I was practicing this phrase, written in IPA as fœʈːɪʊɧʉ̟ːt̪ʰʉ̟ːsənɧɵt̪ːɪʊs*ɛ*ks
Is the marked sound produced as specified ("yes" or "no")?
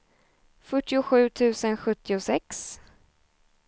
yes